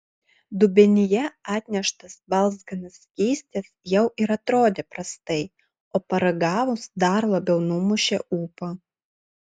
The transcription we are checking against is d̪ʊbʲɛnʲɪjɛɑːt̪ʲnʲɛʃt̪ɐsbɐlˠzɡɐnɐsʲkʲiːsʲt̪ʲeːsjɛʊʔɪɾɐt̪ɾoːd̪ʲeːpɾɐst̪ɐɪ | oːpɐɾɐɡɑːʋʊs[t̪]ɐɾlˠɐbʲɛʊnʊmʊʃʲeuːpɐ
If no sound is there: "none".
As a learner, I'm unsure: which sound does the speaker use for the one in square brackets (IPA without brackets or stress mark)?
d̪